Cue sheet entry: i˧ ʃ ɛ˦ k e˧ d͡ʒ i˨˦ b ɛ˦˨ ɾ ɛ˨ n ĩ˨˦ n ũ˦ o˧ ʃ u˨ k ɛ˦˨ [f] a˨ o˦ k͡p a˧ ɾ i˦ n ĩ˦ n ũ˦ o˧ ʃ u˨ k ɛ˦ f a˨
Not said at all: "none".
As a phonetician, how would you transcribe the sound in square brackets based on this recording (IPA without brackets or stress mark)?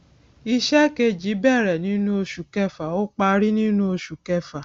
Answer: f